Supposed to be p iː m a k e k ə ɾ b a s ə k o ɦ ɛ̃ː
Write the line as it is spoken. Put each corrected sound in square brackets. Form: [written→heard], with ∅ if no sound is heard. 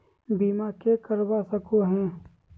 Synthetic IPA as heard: [p→b] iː m a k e k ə ɾ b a s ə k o ɦ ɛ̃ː